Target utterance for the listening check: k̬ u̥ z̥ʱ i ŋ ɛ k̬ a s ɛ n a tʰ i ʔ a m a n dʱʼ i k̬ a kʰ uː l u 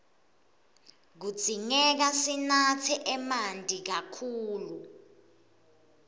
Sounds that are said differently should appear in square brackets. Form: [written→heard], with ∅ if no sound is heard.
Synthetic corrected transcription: k̬ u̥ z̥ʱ i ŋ ɛ k̬ a s [ɛ→i] n a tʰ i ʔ [a→ɛ] m a n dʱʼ i k̬ a kʰ uː l u